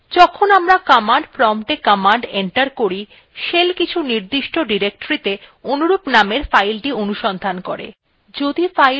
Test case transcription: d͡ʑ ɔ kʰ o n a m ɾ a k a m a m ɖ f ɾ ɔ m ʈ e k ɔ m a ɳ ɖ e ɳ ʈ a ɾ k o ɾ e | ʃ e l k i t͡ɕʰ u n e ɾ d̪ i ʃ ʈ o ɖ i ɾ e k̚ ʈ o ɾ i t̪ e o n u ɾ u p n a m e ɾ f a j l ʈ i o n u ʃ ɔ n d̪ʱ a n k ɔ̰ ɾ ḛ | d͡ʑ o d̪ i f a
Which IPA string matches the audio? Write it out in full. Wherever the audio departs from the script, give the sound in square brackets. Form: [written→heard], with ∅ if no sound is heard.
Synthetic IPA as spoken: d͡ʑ ɔ kʰ o n a m ɾ a k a m a [m→ɳ] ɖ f ɾ ɔ m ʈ e k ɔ m a ɳ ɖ e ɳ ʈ a ɾ k o ɾ [e→i] | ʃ e l k i t͡ɕʰ u n [e→i] ɾ d̪ i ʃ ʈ o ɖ i ɾ e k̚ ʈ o ɾ i t̪ e o n u ɾ u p n a m e ɾ f a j l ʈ i o n u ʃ ɔ n d̪ʱ a n k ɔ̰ ɾ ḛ | d͡ʑ o d̪ i f a